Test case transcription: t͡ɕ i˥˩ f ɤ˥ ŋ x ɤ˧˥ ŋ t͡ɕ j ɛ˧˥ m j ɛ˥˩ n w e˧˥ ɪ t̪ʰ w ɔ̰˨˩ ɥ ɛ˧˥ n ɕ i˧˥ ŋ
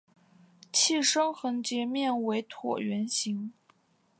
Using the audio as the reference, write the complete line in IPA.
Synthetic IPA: t͡ɕʰ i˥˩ ʂ ɤ˥ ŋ x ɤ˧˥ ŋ t͡ɕ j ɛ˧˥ m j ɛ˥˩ n w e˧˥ ɪ t̪ʰ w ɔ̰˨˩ ɥ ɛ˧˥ n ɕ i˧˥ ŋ